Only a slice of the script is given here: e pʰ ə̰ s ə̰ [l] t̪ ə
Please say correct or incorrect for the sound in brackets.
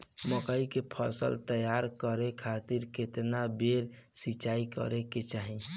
correct